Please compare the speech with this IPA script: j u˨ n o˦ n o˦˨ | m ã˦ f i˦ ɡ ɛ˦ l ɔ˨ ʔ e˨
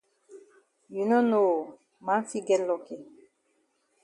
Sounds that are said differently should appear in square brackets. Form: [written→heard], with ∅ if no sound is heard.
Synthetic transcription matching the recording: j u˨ n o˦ n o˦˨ | m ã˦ f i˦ ɡ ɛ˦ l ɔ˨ [ʔ→k] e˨